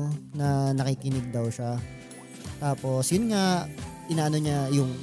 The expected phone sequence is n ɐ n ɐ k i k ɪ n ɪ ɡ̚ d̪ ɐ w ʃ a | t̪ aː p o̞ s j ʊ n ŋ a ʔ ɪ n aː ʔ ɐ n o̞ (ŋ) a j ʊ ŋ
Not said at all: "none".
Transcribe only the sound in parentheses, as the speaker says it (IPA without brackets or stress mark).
ɲ